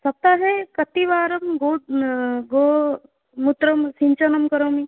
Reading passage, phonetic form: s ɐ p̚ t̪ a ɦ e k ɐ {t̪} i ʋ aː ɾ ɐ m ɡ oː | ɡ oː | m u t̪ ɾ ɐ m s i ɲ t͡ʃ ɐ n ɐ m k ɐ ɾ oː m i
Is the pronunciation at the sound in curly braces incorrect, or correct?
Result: correct